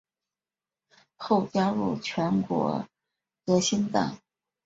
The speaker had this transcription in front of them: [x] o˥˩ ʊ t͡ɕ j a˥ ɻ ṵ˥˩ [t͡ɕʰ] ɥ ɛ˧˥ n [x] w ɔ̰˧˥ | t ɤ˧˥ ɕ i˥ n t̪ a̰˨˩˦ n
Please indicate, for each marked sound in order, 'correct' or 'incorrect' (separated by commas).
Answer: correct, correct, incorrect